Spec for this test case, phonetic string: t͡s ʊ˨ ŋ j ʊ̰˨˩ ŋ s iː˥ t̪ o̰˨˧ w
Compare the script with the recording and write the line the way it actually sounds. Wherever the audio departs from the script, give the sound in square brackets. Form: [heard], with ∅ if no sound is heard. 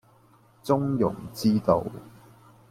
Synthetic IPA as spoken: t͡s [ʊ˥] ŋ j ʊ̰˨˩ ŋ [t͡s] iː˥ t̪ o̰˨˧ w